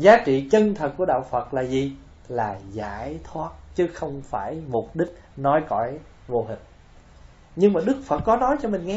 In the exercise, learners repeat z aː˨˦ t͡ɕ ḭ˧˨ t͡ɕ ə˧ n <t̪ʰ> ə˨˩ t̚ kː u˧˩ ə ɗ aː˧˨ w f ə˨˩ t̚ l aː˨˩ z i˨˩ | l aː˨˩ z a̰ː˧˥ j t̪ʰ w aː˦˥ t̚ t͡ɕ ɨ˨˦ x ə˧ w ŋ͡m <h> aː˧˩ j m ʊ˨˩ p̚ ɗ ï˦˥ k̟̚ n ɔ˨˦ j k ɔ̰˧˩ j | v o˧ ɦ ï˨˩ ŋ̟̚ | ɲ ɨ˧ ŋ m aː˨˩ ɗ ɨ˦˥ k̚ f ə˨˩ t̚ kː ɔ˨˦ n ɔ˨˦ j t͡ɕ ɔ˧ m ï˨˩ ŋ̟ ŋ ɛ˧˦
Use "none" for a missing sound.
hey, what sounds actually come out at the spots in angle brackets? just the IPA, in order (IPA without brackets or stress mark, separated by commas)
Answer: t̪ʰ, f